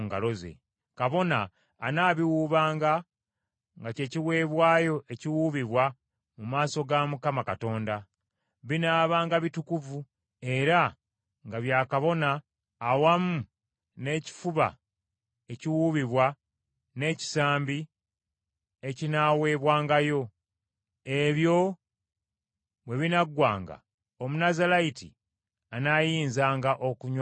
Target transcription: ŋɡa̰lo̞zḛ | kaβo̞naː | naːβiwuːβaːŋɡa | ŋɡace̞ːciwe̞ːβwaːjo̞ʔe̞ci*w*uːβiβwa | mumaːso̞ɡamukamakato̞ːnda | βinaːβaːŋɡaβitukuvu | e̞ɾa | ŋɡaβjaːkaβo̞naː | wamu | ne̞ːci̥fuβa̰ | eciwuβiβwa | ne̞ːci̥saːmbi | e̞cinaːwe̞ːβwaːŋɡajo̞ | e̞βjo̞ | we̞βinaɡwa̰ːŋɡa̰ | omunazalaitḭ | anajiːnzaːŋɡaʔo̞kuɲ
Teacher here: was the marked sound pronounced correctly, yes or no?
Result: yes